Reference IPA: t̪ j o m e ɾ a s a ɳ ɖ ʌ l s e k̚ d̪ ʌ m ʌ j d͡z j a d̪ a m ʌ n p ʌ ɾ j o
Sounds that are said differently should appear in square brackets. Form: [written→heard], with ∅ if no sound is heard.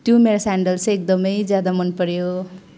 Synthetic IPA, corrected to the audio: t̪ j o m e ɾ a s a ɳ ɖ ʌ l s e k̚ d̪ ʌ m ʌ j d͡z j a d̪ a m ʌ n p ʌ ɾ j o